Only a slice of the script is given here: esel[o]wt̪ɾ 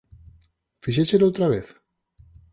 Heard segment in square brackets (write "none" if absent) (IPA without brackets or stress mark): o